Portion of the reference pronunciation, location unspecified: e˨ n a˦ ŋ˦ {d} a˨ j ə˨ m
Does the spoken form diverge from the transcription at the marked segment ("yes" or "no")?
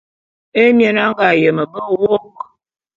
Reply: yes